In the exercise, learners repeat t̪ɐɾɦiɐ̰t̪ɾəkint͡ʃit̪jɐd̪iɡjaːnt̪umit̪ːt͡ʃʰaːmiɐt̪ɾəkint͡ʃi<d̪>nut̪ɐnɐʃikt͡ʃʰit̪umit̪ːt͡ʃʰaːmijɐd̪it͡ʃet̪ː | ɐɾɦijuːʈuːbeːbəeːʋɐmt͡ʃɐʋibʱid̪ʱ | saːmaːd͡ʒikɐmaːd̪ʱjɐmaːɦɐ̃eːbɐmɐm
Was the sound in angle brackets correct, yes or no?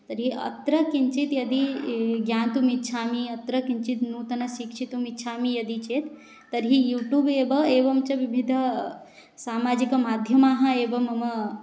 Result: no